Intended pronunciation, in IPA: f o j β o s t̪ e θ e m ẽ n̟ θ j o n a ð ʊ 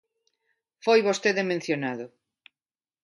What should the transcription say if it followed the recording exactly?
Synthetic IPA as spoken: f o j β o s t̪ e ð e m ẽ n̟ θ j o n a ð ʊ